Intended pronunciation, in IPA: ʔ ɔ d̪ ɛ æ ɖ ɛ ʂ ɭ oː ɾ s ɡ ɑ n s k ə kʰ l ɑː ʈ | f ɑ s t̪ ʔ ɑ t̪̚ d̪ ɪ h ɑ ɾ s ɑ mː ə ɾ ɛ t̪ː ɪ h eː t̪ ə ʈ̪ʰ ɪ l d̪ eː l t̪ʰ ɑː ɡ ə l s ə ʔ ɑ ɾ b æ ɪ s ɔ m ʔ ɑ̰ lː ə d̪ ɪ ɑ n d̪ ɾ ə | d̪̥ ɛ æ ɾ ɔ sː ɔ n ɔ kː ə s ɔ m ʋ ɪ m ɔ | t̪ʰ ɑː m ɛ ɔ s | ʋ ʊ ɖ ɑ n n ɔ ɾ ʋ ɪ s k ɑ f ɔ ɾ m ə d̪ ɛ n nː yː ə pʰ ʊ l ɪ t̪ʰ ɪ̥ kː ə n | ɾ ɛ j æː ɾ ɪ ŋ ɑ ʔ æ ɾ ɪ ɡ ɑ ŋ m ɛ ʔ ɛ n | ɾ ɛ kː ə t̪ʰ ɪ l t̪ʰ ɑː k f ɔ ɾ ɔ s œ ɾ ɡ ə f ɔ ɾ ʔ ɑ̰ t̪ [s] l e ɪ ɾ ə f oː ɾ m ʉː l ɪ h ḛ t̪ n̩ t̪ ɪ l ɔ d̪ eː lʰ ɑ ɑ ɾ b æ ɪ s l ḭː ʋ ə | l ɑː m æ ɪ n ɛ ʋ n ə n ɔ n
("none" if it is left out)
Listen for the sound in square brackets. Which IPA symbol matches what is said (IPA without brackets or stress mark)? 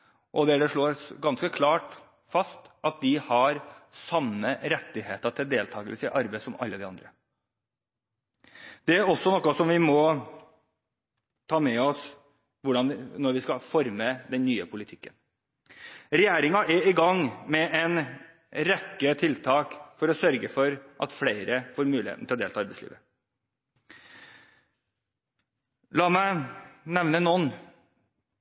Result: f